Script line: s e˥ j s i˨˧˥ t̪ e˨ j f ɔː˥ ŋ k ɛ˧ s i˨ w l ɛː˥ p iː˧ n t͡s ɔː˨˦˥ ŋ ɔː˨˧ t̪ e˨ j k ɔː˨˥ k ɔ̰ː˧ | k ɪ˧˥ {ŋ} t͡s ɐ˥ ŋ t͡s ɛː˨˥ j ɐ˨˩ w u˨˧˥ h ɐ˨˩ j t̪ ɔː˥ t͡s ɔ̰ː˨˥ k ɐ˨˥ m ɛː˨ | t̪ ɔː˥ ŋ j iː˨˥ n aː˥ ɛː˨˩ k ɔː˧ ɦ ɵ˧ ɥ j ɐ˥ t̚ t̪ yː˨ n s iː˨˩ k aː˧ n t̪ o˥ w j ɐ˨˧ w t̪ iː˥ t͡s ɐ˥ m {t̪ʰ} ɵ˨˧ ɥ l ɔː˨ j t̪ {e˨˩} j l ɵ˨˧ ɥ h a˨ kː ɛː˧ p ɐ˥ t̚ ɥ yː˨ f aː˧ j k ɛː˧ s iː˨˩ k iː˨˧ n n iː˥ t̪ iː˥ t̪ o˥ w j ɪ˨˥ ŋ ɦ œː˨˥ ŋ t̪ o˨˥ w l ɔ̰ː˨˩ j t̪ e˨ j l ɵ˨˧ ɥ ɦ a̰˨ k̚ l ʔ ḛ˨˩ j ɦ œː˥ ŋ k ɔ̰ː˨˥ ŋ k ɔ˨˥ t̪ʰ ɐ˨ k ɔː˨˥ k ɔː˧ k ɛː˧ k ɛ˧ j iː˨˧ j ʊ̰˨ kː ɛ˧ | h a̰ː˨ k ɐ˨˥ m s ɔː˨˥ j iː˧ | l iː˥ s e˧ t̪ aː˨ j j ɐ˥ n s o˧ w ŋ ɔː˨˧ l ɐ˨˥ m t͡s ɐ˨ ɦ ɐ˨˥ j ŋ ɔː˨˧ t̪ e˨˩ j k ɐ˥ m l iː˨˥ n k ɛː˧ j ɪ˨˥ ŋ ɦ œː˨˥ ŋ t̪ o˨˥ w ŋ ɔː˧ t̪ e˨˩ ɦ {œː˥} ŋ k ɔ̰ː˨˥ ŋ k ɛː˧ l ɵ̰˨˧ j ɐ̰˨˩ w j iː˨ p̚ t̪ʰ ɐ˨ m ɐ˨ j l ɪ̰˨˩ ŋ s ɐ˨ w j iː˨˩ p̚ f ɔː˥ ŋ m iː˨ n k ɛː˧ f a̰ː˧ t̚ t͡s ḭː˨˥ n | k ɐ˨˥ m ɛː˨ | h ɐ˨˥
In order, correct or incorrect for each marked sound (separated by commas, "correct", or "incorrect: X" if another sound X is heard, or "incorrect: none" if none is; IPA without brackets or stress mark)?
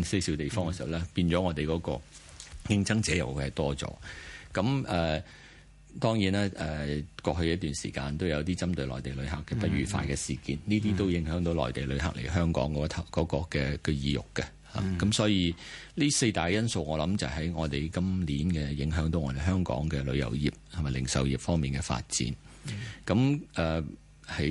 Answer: correct, incorrect: t̪, correct, correct